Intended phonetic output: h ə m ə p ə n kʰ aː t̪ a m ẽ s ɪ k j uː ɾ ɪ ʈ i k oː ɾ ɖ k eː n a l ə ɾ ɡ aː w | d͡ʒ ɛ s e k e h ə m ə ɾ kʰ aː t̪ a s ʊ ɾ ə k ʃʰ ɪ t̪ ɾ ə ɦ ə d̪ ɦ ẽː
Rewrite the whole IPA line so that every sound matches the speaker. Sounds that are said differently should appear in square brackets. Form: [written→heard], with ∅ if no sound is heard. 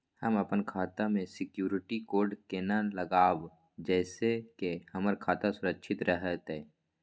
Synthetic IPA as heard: h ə m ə p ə n kʰ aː t̪ a m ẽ s ɪ k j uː ɾ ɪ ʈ i k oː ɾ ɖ k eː n a l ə [ɾ→∅] ɡ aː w | d͡ʒ [ɛ→ɛː] s e k e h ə m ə ɾ kʰ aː t̪ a s ʊ ɾ ə k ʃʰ ɪ t̪ ɾ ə ɦ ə [d̪→t̪] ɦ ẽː